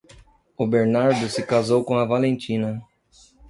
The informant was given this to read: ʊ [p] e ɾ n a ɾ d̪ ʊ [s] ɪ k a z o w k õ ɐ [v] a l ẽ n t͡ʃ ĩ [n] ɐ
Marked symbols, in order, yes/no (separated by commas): no, yes, yes, yes